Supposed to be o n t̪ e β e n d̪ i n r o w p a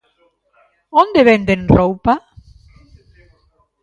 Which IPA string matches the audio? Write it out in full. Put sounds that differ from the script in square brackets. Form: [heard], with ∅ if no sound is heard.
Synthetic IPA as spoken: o n [d̪] e β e n d̪ [e] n r o w p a